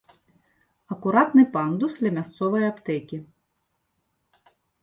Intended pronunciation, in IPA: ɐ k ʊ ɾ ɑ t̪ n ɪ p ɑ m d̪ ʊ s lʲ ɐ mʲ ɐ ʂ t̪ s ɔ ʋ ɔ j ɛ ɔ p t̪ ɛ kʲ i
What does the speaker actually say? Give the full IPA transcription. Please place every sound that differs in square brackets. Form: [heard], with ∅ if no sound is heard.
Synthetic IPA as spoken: ɐ k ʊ ɾ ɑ t̪ n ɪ p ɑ [n] d̪ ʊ s lʲ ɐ mʲ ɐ [s] t̪ s ɔ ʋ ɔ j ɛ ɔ p t̪ ɛ kʲ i